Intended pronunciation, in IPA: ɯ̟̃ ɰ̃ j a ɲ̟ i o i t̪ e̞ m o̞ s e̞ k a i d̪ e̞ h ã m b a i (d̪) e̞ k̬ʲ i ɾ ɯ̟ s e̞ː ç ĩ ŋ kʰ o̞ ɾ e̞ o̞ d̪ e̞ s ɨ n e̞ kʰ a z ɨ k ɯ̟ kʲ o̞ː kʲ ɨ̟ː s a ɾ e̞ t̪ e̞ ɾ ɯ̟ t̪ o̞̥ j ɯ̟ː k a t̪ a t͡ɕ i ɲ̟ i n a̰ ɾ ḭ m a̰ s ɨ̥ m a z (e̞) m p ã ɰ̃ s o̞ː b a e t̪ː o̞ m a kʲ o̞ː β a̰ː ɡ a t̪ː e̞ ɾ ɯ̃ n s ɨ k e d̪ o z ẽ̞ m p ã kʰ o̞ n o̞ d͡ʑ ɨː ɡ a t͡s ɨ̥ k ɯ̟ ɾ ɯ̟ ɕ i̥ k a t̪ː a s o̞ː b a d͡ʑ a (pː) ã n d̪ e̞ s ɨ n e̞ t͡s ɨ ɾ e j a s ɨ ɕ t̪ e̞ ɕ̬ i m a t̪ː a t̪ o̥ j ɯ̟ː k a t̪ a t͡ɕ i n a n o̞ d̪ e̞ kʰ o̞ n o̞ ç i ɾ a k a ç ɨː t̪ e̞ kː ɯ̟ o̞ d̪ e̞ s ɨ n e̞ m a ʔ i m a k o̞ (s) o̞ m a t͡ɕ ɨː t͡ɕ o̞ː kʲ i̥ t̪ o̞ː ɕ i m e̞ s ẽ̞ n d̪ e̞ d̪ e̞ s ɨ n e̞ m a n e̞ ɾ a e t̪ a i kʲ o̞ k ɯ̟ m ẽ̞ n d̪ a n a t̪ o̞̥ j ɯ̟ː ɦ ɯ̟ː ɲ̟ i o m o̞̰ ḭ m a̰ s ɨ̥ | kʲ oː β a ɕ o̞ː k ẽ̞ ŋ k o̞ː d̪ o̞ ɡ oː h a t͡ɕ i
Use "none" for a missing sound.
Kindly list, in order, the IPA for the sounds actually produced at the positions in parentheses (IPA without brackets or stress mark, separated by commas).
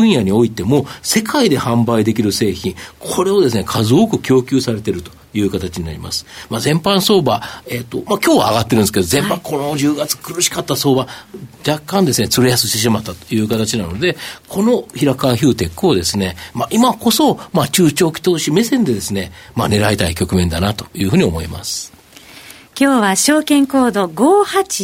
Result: d̪, ẽ̞, kː, s